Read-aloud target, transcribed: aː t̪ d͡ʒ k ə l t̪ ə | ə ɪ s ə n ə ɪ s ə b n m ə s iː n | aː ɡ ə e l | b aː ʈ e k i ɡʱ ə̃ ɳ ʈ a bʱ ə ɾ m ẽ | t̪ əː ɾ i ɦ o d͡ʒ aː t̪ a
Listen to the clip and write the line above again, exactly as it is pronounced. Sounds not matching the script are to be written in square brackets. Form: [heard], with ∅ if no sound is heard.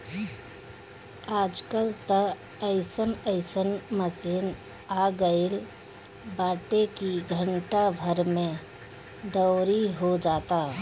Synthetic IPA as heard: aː [∅] d͡ʒ k ə l t̪ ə | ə ɪ s ə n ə ɪ s ə [∅] n m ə s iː n | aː ɡ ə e l | b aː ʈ e k i ɡʱ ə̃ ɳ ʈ a bʱ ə ɾ m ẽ | [d̪] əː ɾ i ɦ o d͡ʒ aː t̪ a